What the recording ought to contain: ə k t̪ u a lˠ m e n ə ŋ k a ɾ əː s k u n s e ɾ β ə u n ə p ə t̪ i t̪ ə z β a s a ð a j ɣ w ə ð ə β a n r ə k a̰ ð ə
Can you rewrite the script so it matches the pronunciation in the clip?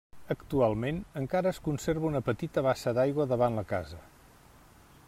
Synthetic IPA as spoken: ə k t̪ u a lˠ m e n ə ŋ k a ɾ əː s k u n s e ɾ β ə u n ə p ə t̪ i t̪ ə β a s ə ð a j ɣ w ə ð ə β a n l ə k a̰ z ə

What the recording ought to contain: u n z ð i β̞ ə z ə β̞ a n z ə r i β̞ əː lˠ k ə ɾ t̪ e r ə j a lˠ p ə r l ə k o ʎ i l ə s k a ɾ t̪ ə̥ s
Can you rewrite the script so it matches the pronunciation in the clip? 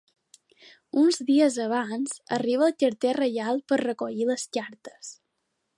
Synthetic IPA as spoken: u n z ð i ə z ə β̞ a n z ə r i β̞ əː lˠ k ə ɾ t̪ e r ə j a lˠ p ə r r ə k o ʎ i l ə s k a ɾ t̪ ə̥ s

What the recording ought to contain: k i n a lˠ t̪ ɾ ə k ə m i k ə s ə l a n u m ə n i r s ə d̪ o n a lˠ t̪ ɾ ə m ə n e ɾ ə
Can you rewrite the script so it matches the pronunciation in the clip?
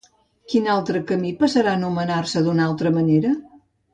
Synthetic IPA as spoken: k i n a lˠ t̪ ɾ ə k ə m i p ə s ə ɾ a n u m ə n a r s ə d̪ u n a lˠ t̪ ɾ ə m ə n e ɾ ə

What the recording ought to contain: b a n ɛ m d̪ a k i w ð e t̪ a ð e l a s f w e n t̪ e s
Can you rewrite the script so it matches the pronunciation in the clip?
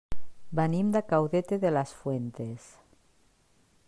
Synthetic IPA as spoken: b a n i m d̪ a k a w ð e t̪ e ð e l a s f w e n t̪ e s

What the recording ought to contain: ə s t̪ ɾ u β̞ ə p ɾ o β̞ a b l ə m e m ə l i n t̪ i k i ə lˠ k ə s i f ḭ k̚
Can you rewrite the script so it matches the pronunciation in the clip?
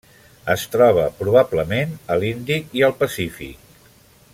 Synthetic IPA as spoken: ə s t̪ ɾ ɔ β̞ ə p ɾ u β̞ a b l ə m e n ə l i n d̪ i k i ə lˠ p ə s i f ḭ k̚

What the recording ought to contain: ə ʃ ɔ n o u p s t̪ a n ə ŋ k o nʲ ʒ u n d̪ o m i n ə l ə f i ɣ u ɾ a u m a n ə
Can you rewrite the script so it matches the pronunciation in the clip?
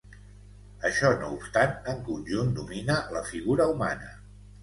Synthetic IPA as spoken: ə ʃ ɔ n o u p s t̪ a n ə ŋ k u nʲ ʒ u n d̪ u m i n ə l ə f i ɣ u ɾ ə u m a n ə

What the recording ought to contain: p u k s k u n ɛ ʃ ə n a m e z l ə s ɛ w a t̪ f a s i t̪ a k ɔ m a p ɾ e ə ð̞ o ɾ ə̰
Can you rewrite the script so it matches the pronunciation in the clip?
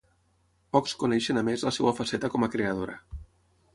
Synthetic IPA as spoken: p ɔ k s k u n ɛ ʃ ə n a m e z l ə s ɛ w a f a s ɛ t̪ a k ɔ m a k ɾ e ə ð̞ o ɾ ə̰

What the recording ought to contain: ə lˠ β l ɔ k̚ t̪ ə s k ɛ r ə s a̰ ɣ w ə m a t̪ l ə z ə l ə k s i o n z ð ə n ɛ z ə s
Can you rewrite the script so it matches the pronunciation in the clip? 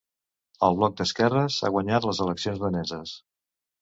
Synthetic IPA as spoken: ə lˠ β l ɔ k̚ d̪ ə s k ɛ r ə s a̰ ɣ w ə ɲ a t̪ l ə z ə l ə k s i o n z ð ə n ɛ z ə s

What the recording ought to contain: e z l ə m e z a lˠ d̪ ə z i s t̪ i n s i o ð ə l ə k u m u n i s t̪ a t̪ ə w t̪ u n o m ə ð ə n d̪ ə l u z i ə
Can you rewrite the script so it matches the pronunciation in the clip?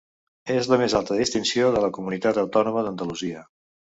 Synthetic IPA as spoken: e z l ə m e z a lˠ t̪ ə ð i s t̪ i n s i o ð ə l ə k u m u n i t̪ a t̪ ə w t̪ ɔ n u m ə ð ə n d̪ ə l u z i ə

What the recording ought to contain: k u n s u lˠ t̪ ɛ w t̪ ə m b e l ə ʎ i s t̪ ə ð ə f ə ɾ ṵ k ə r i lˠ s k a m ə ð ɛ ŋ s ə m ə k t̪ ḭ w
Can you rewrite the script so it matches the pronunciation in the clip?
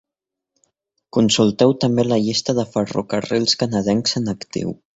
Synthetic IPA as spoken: k u n s u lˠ t̪ ɛ w t̪ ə m b e l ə ʎ i s t̪ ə ð ə f ə r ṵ k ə r i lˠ s k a n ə ð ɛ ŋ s ə n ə k t̪ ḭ w

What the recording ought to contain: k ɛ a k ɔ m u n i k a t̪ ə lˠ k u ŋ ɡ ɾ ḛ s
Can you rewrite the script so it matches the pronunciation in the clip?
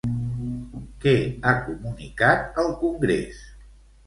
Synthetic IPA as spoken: k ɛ a k u m u n i k a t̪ ə lˠ k u ŋ ɡ ɾ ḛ s

